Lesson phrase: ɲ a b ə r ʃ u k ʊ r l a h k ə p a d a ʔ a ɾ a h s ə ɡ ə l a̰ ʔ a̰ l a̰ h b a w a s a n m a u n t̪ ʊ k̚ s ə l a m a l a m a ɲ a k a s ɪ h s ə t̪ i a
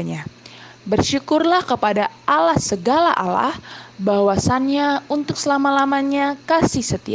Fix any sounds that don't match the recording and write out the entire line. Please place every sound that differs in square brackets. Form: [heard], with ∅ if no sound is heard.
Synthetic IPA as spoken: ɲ a b ə r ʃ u k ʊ r l a h k ə p a d a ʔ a [l] a h s ə ɡ [a] l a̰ ʔ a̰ l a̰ h b a w a s a n [ɲ] a u n t̪ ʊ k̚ s ə l a m a l a m a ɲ a k a s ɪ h s ə t̪ i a